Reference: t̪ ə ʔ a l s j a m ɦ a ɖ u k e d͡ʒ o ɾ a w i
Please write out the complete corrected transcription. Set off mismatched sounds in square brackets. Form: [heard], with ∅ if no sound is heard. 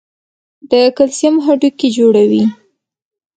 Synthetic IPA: [d̪] ə [k] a l s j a m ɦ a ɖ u k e d͡ʒ o [ɽ] a w i